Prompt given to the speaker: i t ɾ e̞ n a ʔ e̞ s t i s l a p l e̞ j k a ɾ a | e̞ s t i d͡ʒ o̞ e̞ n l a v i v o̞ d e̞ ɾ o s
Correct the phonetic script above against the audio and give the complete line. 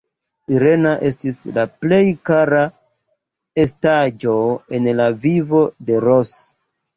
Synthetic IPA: i ɾ e̞ n a ʔ e̞ s t i s l a p l e̞ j k a ɾ a | e̞ s t a d͡ʒ o̞ e̞ n l a v i v o̞ d e̞ ɾ o s